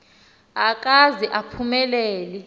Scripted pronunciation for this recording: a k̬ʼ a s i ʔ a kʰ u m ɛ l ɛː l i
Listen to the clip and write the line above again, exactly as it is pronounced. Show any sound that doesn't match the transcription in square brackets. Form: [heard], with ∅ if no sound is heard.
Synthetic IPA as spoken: a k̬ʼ a [z] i ʔ a [pʰ] u m ɛ l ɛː l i